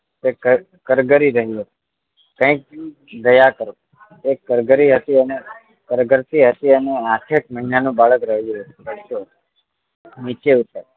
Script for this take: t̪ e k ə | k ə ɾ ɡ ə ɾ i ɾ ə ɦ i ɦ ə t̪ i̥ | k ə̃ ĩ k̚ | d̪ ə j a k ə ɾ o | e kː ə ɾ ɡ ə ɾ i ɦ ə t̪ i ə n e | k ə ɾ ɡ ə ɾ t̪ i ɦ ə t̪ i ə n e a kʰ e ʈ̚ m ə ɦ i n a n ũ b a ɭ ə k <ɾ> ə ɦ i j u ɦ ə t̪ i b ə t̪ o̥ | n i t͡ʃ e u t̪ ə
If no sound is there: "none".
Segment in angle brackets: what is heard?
ɾ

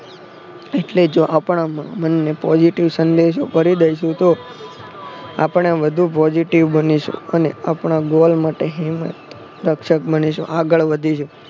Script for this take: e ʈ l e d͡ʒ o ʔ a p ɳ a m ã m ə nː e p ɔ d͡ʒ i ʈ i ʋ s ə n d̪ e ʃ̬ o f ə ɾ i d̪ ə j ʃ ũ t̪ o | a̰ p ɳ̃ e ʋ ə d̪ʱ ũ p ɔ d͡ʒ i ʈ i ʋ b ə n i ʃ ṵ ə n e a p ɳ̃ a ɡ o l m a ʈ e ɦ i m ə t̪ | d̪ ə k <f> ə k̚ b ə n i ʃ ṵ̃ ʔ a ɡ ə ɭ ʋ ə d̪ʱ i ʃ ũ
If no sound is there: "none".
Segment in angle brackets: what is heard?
ʃ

